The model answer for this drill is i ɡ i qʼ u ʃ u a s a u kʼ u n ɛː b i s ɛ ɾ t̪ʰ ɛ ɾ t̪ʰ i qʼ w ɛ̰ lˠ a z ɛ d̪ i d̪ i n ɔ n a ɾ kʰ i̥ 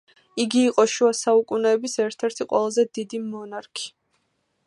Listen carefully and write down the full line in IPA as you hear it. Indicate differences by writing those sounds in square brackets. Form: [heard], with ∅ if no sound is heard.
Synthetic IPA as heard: i ɡ [iː] qʼ [ɔ] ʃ u a s a u kʼ u n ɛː b i s ɛ ɾ t̪ʰ ɛ ɾ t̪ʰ i qʼ w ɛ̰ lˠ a z ɛ d̪ i d̪ i [m] ɔ n a ɾ kʰ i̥